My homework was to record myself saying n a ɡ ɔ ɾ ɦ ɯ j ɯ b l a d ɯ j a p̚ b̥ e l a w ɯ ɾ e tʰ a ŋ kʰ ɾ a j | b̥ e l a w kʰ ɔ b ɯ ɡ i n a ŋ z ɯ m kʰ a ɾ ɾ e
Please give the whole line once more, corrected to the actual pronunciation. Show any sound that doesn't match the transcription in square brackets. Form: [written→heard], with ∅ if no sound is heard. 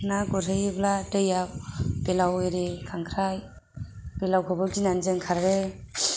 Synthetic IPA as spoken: n a ɡ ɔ ɾ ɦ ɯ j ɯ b l a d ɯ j a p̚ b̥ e l a w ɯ ɾ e [tʰ→kʰ] a ŋ kʰ ɾ a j | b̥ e l a w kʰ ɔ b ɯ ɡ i n a [ŋ→n] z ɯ [m→ŋ] kʰ a ɾ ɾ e

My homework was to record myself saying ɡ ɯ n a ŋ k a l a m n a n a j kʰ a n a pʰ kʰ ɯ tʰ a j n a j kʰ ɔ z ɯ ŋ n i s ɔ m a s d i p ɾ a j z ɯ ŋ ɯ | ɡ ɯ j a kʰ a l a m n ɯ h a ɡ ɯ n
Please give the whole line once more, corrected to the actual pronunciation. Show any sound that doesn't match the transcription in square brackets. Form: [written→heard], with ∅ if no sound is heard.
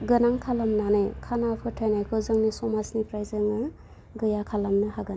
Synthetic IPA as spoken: ɡ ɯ n a ŋ [k→kʰ] a l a m n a n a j kʰ a n a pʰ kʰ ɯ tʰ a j n a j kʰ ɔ z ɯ ŋ n i s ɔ m a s [d→n] i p ɾ a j z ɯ ŋ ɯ | ɡ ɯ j a kʰ a l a m n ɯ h a ɡ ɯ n

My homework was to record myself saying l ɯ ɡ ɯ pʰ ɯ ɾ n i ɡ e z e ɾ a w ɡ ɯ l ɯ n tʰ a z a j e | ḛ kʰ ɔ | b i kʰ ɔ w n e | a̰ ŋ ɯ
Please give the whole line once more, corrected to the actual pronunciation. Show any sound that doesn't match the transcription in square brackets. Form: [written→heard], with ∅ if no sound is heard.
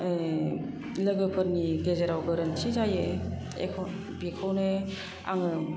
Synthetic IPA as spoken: l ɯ ɡ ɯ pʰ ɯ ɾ n i ɡ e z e ɾ a w ɡ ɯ [l→ɾ] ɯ n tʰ [a→i] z a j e | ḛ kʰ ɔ | b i kʰ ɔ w n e | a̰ ŋ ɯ

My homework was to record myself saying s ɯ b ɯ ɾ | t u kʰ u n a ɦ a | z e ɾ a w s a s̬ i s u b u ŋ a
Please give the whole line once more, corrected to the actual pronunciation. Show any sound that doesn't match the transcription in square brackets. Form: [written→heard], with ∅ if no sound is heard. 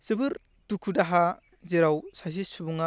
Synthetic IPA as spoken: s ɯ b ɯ ɾ | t u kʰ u [n→d] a ɦ a | z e ɾ a w s a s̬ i s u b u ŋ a

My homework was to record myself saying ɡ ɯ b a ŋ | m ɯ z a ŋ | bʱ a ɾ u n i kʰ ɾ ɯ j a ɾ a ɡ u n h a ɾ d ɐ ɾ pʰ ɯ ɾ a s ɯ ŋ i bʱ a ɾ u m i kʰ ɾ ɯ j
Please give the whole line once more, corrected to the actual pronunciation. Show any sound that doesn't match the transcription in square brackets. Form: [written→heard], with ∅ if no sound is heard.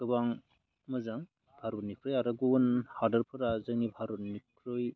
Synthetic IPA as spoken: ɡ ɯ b a ŋ | m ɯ z a ŋ | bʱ a ɾ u n i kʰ ɾ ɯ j a ɾ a ɡ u n h a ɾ d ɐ ɾ pʰ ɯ ɾ a [s→z] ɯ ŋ i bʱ a ɾ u [m→n] i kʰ ɾ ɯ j

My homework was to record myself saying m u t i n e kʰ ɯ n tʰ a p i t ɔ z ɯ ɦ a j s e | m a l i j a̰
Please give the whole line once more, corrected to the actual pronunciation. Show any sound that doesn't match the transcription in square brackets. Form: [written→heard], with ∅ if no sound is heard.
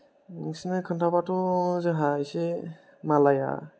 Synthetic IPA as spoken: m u [t→s] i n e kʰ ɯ n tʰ a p [i→a] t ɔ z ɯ ɦ a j s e | m a l [i→a] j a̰

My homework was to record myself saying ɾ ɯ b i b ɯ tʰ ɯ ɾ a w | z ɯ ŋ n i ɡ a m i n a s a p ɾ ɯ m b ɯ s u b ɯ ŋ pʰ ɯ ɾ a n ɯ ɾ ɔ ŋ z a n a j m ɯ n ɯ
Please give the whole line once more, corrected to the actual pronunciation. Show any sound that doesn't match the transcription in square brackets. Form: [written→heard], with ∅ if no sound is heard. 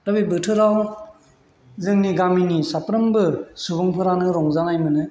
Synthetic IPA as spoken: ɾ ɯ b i b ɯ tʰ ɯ ɾ a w | z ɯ ŋ n i ɡ a m i n [a→i] s a p ɾ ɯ m b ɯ s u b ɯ ŋ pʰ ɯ ɾ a n ɯ ɾ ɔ ŋ z a n a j m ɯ n ɯ

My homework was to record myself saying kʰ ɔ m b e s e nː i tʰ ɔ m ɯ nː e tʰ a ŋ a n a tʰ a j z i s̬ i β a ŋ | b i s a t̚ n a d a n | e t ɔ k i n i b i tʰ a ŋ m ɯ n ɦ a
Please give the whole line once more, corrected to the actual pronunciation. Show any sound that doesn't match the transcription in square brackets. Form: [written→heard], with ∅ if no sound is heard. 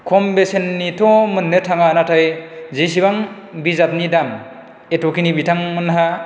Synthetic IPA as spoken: kʰ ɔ m b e s e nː i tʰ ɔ m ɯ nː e tʰ a ŋ a n a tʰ a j z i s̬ i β a ŋ | b i [s→z] a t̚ n [a→i] d a [n→m] | e t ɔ k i n i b i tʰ a ŋ m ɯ n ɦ a

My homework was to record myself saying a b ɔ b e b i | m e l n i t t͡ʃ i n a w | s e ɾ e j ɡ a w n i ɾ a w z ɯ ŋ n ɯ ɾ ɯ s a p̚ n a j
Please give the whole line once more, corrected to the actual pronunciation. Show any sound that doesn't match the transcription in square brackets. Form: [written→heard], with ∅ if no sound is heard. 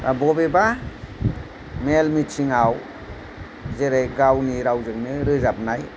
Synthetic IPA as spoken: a b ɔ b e b [i→a] | m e l [n→m] i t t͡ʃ i [n→ŋ] a w | [s→z] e ɾ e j ɡ a w n i ɾ a w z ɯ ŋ n ɯ ɾ ɯ [s→z] a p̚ n a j

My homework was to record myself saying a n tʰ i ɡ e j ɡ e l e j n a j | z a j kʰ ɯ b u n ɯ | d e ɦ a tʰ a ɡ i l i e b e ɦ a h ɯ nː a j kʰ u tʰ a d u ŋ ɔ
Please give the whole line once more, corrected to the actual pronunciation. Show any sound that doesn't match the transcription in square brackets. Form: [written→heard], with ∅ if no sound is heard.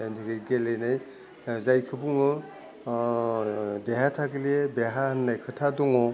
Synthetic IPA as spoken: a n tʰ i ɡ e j ɡ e l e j n a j | z a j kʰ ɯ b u [n→ŋ] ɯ | d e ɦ a tʰ a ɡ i l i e b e ɦ a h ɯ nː a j kʰ [u→ɯ] tʰ a d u ŋ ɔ

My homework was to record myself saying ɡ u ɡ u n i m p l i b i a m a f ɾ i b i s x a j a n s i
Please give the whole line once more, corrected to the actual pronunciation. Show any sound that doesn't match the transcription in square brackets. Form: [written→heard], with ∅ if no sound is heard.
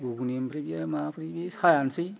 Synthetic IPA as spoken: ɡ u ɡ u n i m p [l→ɾ] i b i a m a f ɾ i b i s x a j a n s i

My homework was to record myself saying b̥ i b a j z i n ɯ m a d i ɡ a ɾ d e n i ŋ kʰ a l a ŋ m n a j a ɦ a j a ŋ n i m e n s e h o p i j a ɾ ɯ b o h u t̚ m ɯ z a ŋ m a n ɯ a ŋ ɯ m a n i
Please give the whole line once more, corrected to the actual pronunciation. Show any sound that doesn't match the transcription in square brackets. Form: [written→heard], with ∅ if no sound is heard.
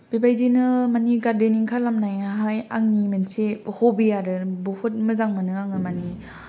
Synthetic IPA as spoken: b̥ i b a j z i n ɯ m a [d→n] i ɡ a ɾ d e n i ŋ kʰ a l a [ŋ→∅] m n a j a ɦ a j a ŋ n i m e n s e h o [p→b] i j a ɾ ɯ b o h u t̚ m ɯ z a ŋ m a n ɯ a ŋ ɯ m a n i

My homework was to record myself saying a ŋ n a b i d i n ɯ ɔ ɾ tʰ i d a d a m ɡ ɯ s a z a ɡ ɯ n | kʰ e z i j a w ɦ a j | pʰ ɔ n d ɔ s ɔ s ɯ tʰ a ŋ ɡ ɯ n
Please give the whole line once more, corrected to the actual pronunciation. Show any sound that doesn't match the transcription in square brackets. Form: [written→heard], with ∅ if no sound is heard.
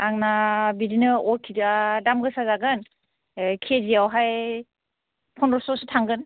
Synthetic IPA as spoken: a ŋ n a b i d i n ɯ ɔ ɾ [tʰ→kʰ] i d a d a m ɡ ɯ s a z a ɡ ɯ n | kʰ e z i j a w ɦ a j | pʰ ɔ n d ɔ s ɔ s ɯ tʰ a ŋ ɡ ɯ n

